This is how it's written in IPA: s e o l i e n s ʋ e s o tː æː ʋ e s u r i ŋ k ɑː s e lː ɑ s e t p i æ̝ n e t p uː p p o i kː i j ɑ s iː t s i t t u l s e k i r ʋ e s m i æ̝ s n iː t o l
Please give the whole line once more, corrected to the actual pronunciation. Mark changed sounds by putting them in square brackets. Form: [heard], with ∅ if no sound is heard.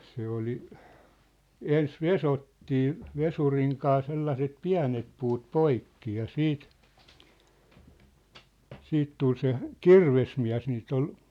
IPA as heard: s e o l i e n s ʋ e s o tː [iː] ʋ e s u r i ŋ k ɑː s e lː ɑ s e t p i æ̝ n e t p uː [t] p o i kː i j ɑ s iː t s [iː] t t u l s e k i r ʋ e s m i æ̝ s n iː t o l